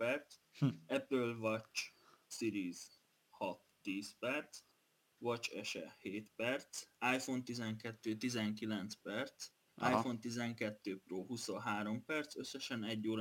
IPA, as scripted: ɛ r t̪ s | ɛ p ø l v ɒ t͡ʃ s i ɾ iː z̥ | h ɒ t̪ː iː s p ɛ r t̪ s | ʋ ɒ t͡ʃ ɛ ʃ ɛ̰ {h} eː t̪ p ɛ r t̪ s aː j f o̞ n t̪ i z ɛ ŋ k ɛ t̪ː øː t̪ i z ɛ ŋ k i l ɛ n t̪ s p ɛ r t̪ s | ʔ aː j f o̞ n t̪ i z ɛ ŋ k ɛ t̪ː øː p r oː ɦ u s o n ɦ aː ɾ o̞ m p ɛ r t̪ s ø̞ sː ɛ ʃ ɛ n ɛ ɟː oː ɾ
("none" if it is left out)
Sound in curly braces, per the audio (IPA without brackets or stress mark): h